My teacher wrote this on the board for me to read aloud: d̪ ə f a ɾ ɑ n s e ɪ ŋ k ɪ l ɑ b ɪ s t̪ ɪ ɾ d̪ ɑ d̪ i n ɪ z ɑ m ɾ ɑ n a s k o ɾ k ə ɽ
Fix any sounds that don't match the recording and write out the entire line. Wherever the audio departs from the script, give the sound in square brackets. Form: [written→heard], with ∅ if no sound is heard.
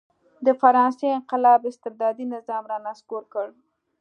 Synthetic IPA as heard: d̪ ə f a ɾ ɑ n s e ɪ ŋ [k→q] ɪ l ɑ b ɪ s t̪ ɪ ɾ d̪ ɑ d̪ i n ɪ z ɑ m ɾ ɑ n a s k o ɾ k ə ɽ

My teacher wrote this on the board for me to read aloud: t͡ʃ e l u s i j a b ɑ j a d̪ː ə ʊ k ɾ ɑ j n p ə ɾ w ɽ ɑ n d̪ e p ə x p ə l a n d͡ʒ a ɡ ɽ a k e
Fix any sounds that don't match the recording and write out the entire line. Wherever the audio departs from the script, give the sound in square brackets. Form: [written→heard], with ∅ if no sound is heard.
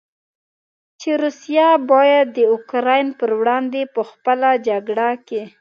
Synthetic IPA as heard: t͡ʃ e [l→ɾ] u s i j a b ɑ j a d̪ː ə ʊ k ɾ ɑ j n p ə ɾ w ɽ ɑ n d̪ e p ə x p ə l a [n→∅] d͡ʒ a ɡ ɽ a k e

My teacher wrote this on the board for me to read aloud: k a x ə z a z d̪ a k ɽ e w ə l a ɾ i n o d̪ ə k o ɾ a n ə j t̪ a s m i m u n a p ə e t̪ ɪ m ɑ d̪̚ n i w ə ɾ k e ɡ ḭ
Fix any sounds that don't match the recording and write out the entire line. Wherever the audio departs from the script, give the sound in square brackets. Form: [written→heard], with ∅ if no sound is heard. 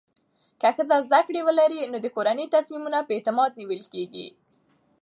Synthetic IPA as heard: k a x ə z a z d̪ a k ɽ e w ə l a ɾ i n o d̪ ə k o ɾ a n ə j t̪ a s m i m u n a p ə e t̪ ɪ m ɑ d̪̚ n i w ə [ɾ→l] k e ɡ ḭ

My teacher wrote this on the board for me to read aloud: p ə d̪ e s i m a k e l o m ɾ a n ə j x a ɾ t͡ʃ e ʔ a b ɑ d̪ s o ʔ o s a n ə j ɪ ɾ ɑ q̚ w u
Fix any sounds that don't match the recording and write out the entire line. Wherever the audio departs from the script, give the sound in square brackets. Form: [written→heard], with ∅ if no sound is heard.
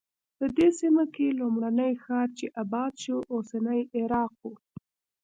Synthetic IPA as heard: p ə d̪ e s i m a k e l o m [ɾ→ɽ] a n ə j x [a→ɑ] ɾ t͡ʃ e ʔ a b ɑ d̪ [s→ʃ] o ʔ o s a n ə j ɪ ɾ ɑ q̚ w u

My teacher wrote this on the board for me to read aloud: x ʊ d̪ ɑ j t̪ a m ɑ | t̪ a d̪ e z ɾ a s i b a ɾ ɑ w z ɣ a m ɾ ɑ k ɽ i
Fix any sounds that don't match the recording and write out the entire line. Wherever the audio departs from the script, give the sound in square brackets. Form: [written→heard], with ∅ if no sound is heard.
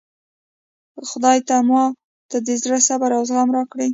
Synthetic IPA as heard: x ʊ d̪ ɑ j t̪ a m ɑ | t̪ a d̪ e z ɾ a s [i→a] b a ɾ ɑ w z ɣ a m ɾ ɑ k ɽ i

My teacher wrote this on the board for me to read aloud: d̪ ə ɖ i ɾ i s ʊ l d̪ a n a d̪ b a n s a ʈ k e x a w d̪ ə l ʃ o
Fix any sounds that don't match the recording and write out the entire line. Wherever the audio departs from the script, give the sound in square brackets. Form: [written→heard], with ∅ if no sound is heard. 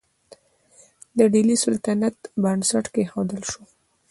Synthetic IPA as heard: d̪ ə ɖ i [ɾ→l] i s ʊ l [d̪→t̪] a n a [d̪→t̪] b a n s a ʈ k e x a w d̪ ə l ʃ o

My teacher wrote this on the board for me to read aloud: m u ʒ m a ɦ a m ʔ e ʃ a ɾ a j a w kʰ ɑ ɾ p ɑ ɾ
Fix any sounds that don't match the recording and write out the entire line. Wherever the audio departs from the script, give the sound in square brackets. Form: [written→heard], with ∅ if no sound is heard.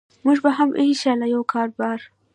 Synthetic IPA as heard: m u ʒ [m→b] a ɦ a m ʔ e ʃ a [ɾ→l] a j a w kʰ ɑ ɾ [p→b] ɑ ɾ

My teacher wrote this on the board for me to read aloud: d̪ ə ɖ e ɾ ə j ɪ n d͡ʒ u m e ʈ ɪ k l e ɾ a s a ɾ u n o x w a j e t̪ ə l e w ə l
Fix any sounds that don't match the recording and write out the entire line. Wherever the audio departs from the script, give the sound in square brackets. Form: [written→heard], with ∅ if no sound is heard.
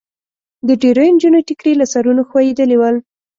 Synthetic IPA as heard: d̪ ə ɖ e ɾ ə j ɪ n d͡ʒ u [m→n] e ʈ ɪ k [l→ɾ] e [ɾ→l] a s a ɾ u n o x w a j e [t̪→d̪] ə l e w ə l

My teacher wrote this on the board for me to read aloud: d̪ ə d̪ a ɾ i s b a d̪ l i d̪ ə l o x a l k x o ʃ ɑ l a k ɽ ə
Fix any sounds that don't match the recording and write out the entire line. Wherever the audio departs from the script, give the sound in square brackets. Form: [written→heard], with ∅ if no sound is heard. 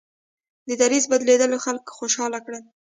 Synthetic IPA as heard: d̪ ə d̪ a ɾ i [s→z] b a d̪ l [i→e] d̪ ə l o x a l k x o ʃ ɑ l a k ɽ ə

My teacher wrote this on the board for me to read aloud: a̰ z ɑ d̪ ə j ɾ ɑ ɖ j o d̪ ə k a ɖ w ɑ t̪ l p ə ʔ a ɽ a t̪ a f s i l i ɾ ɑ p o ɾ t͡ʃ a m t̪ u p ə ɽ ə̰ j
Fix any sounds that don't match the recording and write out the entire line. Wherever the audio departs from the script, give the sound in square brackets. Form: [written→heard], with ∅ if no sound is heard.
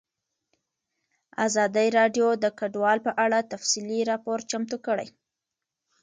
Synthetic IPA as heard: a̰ z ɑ d̪ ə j ɾ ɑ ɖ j o d̪ ə k a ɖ w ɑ [t̪→∅] l p ə ʔ a ɽ a t̪ a f s i l i ɾ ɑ p o ɾ t͡ʃ a m t̪ u [p→k] ə ɽ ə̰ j

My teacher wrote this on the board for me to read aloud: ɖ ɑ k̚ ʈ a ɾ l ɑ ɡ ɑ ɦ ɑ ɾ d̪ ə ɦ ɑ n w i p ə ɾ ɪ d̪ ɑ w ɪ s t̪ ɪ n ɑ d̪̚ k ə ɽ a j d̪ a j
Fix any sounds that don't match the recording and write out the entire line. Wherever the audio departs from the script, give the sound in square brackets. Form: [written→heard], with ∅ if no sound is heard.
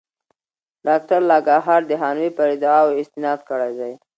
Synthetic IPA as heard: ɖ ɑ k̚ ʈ a ɾ l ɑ ɡ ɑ ɦ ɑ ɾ d̪ ə ɦ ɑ n w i p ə ɾ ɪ d̪ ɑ w ɪ s t̪ ɪ n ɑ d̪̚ k ə ɽ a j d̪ a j

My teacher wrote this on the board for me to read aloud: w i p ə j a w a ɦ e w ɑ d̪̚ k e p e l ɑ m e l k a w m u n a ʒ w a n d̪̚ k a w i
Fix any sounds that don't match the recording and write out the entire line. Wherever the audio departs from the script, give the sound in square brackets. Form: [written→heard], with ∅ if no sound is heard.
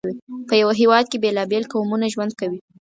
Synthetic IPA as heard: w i p ə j a w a ɦ e w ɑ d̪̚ k e [p→b] e l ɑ [m→b] e l k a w m u n a ʒ w a n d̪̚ k a w i

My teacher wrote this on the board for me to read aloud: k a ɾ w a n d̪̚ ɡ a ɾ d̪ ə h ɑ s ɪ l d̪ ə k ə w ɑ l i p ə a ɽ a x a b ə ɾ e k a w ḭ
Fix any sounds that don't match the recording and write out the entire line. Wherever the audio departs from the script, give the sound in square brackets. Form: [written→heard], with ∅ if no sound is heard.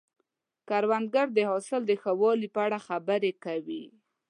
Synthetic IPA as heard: k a ɾ w a n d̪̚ ɡ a ɾ d̪ ə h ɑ s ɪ l d̪ ə [k→x] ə w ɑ l i p ə a ɽ a x a b ə ɾ e k a w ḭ

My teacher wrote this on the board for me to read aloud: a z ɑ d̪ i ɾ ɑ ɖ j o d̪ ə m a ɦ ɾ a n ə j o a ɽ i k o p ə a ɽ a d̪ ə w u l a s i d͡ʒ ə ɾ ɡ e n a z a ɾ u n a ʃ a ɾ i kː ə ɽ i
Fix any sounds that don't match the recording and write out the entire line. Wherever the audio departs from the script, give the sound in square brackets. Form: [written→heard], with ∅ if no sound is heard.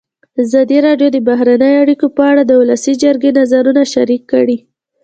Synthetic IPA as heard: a z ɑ d̪ i ɾ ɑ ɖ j o d̪ ə [m→b] a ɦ ɾ a n ə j o a ɽ i k o p ə a ɽ a d̪ ə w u l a s i d͡ʒ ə ɾ ɡ e n a z a ɾ u n a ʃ a ɾ i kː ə ɽ i

